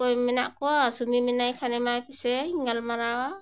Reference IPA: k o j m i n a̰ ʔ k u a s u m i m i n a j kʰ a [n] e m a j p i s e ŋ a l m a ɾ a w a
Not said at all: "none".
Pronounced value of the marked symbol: n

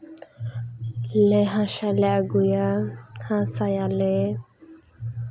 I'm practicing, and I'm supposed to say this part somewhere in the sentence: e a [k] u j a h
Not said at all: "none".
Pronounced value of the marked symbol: ɡ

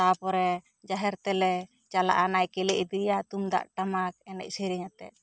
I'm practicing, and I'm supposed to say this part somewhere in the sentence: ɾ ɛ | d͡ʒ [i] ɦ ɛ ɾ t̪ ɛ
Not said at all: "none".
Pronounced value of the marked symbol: a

